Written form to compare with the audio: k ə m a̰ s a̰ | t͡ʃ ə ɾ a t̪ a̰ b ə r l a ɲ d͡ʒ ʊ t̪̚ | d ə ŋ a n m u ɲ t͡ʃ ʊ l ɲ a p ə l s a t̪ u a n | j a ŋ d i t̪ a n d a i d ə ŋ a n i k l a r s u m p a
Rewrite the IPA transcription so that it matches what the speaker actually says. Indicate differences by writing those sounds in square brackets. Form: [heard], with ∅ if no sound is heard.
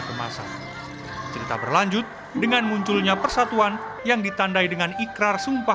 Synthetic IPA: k ə m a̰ s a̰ | t͡ʃ ə ɾ [i] t̪ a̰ b ə r l a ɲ d͡ʒ ʊ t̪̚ | d ə ŋ a n m u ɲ t͡ʃ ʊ l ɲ a p ə [r] s a t̪ u a n | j a ŋ d i t̪ a n d a i d ə ŋ a n i k [ɾ] a r s u m p a